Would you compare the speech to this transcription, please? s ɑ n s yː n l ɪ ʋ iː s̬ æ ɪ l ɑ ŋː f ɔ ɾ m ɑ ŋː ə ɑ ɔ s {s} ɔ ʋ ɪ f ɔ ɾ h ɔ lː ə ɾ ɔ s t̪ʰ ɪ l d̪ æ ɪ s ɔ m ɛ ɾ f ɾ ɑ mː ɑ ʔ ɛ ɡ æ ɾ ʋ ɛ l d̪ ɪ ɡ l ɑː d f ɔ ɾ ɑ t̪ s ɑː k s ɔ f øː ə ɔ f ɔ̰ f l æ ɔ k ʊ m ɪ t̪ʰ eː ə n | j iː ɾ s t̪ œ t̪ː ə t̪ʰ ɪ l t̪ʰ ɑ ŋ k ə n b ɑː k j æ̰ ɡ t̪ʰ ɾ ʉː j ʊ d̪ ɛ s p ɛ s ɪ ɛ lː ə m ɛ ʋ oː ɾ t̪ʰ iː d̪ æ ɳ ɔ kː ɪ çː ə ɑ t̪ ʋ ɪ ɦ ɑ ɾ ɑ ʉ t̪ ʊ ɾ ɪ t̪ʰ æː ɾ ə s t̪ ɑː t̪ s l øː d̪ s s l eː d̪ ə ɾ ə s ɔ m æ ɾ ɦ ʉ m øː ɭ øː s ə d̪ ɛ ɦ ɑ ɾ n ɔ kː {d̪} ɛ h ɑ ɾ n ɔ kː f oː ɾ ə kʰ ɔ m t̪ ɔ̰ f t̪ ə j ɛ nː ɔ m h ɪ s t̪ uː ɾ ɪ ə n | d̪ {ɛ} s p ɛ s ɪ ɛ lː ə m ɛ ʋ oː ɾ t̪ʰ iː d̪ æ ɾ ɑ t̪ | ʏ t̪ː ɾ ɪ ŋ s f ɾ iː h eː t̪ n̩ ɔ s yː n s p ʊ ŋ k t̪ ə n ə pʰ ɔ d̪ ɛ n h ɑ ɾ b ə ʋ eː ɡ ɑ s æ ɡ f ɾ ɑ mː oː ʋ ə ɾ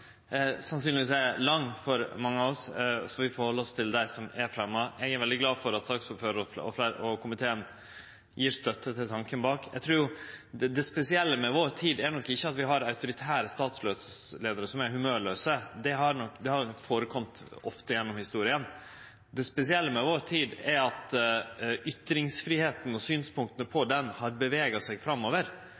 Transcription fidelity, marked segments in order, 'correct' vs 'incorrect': correct, correct, correct

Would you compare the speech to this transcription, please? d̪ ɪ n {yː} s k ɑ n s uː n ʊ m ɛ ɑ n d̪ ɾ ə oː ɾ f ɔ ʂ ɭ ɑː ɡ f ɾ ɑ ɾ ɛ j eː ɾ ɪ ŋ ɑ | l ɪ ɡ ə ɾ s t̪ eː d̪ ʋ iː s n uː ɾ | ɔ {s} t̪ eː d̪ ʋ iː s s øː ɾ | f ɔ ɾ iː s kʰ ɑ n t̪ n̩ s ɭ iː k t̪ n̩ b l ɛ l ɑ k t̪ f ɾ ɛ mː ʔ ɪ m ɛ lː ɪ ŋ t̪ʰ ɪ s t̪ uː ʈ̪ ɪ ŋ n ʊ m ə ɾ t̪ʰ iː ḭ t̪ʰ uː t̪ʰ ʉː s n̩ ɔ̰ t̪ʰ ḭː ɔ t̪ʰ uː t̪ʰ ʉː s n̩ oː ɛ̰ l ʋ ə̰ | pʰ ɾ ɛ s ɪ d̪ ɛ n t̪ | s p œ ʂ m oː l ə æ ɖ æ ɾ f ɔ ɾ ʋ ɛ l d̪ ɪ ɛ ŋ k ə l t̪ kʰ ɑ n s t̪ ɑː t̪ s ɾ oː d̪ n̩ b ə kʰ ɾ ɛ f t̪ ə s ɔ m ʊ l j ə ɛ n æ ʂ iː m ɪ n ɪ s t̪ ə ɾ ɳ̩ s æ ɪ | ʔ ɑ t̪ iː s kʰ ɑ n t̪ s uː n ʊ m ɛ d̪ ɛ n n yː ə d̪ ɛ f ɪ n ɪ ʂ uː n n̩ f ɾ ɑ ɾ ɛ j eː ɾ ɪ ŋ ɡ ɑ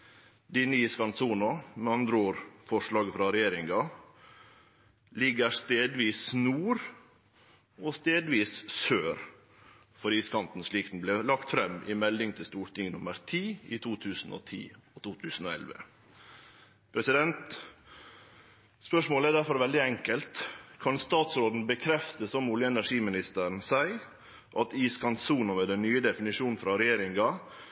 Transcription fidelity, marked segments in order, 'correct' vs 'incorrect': incorrect: iː, correct

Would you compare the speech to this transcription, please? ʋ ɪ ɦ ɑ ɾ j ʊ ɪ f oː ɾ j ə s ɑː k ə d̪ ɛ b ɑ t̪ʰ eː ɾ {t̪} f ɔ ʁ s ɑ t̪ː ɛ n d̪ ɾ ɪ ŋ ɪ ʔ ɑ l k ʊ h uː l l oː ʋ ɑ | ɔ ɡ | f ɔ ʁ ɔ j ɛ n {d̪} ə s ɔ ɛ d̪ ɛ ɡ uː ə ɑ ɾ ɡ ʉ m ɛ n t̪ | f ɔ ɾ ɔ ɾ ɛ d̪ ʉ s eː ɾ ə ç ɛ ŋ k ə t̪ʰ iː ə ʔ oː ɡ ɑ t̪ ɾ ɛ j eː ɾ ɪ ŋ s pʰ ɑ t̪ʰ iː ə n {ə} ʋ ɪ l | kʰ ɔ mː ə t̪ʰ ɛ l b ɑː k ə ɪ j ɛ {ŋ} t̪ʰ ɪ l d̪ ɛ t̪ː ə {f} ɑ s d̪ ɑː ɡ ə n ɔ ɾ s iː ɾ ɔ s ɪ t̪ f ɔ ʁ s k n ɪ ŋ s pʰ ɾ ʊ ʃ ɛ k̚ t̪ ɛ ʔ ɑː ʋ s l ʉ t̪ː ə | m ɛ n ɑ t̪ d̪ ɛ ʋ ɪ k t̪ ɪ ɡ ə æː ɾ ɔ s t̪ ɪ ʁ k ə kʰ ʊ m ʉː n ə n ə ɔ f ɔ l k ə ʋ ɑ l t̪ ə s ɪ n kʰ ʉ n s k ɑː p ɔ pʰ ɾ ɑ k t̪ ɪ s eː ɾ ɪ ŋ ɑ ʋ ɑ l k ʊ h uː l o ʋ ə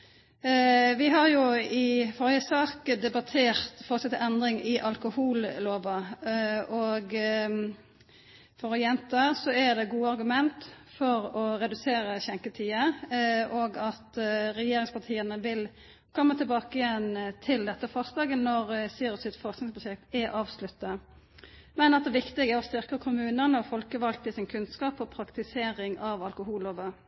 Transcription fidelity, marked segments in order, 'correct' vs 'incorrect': correct, incorrect: t̪, correct, incorrect: n, correct

